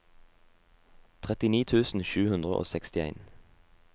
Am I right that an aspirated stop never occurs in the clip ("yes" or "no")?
no